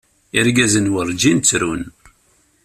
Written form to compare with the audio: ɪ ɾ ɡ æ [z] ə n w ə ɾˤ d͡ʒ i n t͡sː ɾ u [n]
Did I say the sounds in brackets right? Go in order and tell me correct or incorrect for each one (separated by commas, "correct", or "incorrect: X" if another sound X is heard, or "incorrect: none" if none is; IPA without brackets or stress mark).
correct, correct